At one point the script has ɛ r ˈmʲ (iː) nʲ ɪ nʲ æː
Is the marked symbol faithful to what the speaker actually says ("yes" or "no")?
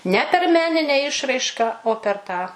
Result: no